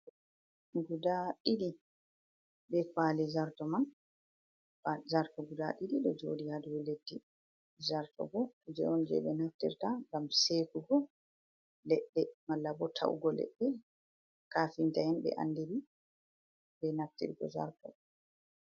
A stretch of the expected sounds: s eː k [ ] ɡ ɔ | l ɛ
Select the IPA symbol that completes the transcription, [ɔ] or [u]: u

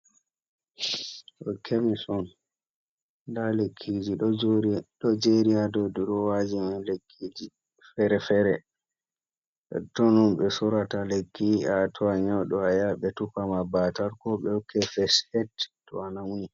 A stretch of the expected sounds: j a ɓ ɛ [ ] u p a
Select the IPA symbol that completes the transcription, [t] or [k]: t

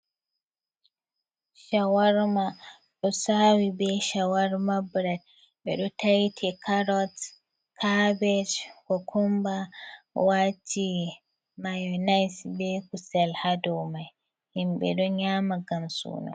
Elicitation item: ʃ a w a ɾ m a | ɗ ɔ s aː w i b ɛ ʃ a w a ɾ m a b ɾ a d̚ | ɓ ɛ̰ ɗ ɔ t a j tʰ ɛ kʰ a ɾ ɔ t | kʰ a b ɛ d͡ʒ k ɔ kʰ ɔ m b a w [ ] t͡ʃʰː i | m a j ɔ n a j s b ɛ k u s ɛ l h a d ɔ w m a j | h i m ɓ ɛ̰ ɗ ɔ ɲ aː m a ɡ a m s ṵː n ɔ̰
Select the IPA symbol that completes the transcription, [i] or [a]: a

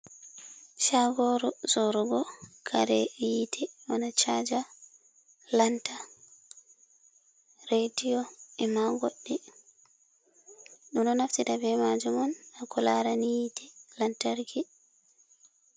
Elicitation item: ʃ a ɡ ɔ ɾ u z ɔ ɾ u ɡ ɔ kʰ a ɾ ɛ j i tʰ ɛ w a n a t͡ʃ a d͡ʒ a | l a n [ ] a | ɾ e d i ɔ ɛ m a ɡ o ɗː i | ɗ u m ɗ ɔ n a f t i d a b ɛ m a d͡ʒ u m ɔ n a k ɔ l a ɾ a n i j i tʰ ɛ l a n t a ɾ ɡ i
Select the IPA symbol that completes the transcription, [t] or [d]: t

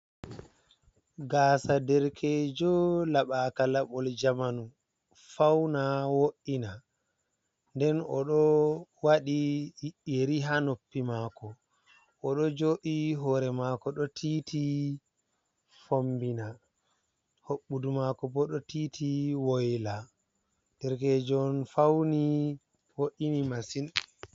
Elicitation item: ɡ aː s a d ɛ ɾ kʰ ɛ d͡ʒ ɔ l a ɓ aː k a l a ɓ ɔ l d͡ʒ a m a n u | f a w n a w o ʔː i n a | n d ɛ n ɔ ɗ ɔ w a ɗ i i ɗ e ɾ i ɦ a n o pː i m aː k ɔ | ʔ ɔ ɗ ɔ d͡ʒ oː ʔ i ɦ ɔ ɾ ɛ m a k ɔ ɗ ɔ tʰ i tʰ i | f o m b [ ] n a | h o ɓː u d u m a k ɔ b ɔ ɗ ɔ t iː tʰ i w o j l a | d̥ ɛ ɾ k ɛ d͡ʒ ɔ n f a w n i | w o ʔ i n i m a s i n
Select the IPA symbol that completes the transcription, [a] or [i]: i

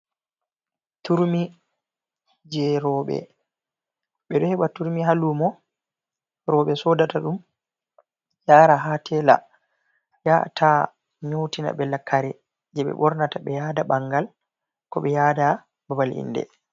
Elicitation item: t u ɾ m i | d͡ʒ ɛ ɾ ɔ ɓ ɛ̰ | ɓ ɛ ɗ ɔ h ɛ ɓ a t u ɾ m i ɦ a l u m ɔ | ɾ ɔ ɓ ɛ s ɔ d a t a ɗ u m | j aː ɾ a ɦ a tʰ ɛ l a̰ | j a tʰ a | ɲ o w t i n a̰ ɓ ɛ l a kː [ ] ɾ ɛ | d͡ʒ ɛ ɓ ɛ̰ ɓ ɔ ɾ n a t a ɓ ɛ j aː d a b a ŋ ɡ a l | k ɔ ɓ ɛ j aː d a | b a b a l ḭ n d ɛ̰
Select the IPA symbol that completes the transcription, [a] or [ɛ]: a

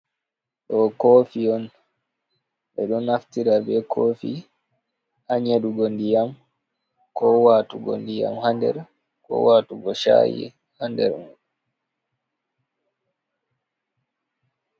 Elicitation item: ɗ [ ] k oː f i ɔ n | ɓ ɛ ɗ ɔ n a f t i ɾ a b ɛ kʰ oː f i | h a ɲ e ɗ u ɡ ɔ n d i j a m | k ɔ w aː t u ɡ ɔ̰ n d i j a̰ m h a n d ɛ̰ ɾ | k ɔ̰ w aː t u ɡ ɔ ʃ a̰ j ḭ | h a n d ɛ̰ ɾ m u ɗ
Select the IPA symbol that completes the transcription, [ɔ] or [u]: ɔ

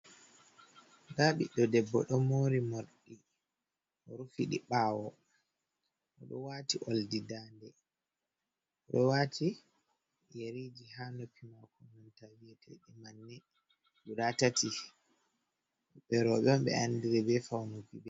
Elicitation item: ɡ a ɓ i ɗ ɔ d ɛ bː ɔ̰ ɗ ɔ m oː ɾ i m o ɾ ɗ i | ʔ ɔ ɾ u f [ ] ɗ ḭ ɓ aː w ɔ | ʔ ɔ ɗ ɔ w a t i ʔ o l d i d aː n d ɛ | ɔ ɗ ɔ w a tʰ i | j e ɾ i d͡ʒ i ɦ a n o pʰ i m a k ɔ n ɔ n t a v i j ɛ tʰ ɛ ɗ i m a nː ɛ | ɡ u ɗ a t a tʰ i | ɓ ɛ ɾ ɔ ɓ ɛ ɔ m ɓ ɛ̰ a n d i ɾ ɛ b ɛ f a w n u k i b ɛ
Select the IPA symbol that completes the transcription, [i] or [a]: i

